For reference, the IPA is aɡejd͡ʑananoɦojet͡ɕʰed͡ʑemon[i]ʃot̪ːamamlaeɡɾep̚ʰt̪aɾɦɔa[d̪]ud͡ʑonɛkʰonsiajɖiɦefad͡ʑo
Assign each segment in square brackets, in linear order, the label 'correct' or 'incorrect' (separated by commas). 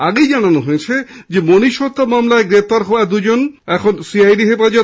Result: correct, correct